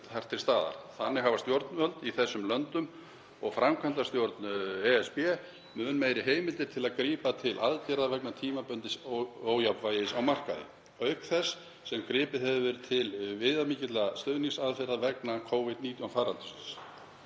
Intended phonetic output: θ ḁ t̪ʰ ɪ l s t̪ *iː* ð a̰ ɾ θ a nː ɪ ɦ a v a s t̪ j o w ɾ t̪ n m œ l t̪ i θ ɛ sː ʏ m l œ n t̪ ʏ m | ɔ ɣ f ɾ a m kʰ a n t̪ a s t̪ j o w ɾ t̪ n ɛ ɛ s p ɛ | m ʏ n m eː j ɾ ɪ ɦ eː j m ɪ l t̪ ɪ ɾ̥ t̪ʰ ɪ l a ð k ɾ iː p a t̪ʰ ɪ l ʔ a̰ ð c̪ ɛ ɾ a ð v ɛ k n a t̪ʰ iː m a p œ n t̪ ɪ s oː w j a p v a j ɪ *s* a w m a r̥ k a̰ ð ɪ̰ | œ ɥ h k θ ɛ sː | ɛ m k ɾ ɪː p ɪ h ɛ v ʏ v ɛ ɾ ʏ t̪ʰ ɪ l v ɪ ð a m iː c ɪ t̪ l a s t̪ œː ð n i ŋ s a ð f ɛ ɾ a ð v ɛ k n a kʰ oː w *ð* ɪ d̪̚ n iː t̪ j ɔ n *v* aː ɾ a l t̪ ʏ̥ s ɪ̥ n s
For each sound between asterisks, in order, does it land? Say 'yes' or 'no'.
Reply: no, yes, no, no

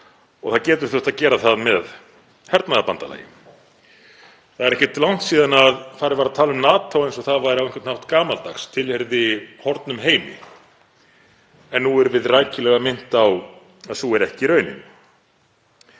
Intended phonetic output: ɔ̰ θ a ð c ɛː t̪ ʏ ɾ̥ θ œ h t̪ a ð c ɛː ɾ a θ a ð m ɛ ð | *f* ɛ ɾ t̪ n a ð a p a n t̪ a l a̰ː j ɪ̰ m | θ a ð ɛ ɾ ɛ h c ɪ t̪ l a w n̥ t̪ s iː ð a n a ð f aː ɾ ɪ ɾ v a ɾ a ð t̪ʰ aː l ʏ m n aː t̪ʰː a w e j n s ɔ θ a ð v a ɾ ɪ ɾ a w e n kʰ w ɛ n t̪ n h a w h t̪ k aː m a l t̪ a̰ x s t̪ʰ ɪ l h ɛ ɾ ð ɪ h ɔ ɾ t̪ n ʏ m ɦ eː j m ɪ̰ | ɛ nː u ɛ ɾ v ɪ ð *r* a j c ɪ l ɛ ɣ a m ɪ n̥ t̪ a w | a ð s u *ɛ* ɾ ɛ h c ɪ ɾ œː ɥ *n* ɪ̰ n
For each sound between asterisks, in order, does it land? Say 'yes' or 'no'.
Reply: no, yes, yes, yes

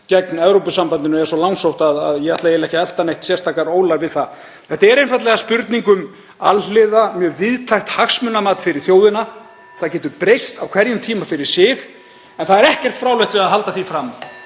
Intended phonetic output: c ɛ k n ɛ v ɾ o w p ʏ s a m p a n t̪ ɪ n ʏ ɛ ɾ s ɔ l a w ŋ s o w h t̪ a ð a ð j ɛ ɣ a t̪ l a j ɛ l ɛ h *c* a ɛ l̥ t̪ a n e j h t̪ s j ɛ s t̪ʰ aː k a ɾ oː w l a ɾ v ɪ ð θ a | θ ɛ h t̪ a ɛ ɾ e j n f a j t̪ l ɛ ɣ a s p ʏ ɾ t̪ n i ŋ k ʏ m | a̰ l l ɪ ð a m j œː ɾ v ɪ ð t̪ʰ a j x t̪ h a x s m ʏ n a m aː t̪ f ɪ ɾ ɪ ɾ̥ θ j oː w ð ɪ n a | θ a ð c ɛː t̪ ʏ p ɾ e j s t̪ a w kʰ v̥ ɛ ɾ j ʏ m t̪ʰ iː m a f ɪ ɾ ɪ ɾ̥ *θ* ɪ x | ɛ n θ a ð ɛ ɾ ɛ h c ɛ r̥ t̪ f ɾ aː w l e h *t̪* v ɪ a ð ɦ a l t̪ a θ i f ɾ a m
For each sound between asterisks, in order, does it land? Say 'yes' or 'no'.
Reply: yes, no, yes

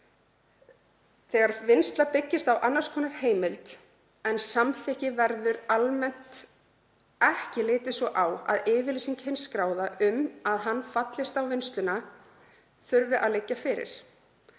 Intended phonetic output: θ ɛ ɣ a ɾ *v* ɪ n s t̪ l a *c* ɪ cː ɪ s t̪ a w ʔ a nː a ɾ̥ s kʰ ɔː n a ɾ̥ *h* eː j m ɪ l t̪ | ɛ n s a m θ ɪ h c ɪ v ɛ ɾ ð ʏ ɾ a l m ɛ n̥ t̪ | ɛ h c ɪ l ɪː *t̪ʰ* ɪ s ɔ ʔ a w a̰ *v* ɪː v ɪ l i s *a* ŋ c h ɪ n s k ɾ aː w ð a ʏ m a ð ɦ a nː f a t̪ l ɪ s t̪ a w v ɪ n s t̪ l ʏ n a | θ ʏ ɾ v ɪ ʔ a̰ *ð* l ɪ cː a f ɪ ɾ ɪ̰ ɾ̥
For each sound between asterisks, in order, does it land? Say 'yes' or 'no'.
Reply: yes, no, yes, no, no, no, yes

